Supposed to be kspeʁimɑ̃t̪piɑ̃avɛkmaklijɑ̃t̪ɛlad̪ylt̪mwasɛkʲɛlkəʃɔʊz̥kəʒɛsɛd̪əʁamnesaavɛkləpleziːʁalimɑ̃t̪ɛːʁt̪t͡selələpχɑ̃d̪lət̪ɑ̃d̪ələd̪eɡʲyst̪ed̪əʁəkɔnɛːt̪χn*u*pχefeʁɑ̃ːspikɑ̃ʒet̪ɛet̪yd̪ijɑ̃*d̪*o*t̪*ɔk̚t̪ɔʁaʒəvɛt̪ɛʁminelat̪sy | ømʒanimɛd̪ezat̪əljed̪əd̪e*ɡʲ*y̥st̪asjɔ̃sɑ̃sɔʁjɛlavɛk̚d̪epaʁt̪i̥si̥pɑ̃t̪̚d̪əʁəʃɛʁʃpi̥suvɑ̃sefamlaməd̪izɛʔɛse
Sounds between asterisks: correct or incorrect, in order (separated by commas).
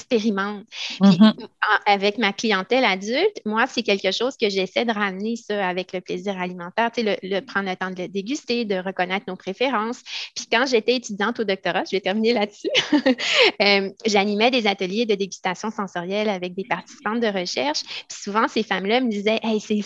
incorrect, incorrect, incorrect, correct